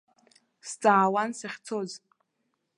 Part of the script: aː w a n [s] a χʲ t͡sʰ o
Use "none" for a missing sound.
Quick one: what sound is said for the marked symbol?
s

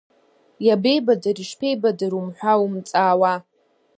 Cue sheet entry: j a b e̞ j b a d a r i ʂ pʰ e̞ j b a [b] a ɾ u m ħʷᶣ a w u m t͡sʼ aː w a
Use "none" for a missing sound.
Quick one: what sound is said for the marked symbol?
d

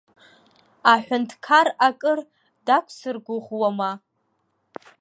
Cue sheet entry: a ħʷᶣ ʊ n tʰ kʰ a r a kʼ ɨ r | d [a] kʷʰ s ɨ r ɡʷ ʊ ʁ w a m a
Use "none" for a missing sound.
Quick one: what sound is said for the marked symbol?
a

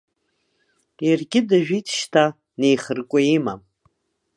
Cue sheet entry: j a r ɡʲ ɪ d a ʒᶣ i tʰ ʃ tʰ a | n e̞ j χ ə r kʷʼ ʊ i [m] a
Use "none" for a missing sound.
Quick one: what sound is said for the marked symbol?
m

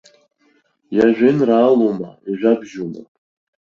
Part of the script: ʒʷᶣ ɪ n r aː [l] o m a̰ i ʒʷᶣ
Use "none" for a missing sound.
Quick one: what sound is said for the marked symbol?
l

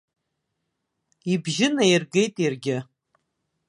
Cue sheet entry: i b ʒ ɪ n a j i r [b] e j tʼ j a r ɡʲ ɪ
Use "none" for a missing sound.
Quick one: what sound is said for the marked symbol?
ɡ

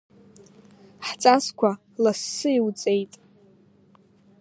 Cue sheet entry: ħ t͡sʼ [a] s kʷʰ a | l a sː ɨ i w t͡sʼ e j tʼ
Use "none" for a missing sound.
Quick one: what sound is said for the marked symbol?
a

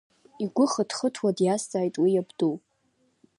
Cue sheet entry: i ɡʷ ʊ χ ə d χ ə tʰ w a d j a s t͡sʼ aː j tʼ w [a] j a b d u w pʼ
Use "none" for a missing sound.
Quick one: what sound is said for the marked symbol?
i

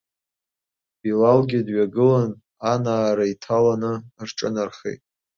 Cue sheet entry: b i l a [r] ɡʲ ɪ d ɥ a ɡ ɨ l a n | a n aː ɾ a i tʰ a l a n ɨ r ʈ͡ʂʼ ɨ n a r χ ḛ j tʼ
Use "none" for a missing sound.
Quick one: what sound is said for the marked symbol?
l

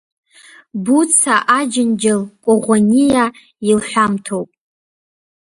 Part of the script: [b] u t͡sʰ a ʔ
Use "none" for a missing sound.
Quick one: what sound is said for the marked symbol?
b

